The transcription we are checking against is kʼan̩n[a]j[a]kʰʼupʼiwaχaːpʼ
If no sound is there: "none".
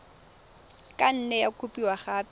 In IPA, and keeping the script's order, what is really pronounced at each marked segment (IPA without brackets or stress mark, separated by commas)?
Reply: ɛ, a